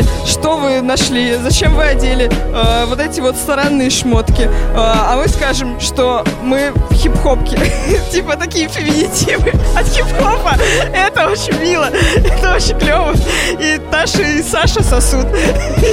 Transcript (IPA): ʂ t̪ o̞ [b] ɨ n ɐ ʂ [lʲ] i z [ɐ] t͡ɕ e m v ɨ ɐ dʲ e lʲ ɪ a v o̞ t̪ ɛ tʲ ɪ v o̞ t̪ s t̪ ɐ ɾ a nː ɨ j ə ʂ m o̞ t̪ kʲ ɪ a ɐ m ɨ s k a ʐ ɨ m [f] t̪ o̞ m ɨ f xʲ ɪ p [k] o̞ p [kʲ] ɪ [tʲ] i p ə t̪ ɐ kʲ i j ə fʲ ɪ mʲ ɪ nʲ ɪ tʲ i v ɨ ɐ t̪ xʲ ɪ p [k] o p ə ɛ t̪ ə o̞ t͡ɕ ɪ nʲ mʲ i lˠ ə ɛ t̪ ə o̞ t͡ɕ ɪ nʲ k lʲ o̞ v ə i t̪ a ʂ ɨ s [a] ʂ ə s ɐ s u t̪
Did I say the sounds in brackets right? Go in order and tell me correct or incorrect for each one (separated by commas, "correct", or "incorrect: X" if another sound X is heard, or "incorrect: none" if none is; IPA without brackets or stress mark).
incorrect: v, correct, correct, incorrect: ʂ, incorrect: x, correct, correct, incorrect: x, correct